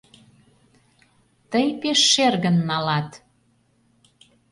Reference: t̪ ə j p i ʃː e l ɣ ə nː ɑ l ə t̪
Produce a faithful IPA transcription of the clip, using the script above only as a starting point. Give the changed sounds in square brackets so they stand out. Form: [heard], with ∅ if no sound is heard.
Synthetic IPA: t̪ ə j p [e] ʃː e [r] ɣ ə nː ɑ l [ɑ] t̪